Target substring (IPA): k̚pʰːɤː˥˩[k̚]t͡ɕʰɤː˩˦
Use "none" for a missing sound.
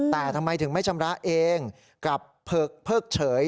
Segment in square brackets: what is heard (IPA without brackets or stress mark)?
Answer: k̚